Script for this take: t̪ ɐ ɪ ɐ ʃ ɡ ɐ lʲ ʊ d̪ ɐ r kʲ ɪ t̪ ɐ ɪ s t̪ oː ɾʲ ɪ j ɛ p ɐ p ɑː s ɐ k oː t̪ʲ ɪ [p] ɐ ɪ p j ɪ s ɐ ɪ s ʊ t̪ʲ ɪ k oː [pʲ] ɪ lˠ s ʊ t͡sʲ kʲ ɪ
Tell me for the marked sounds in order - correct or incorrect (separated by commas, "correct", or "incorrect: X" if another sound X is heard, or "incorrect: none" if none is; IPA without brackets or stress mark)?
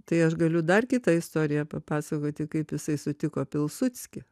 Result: incorrect: k, correct